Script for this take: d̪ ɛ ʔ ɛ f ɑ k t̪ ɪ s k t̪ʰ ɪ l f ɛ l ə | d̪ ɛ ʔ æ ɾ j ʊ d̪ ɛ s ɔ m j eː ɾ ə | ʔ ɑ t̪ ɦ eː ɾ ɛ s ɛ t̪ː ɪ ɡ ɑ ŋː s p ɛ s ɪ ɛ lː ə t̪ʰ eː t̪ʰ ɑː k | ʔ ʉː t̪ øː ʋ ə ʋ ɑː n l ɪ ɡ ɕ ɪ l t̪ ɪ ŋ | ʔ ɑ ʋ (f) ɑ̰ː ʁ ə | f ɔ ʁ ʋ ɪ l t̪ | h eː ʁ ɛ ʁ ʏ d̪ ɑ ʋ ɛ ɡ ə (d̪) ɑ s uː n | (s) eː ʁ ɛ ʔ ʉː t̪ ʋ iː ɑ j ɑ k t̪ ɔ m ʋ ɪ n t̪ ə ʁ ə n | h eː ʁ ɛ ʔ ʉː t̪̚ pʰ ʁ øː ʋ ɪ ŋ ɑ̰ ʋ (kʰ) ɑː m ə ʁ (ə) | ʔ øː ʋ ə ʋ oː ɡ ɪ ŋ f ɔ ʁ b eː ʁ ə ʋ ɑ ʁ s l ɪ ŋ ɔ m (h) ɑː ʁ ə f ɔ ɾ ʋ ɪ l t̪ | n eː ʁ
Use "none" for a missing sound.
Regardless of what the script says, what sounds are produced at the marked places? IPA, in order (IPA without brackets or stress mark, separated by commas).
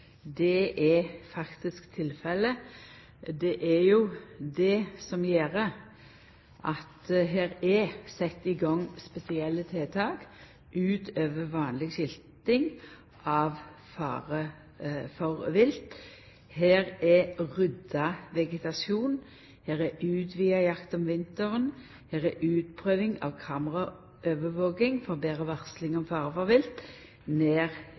f, t̪, h, kʰ, ɑ, f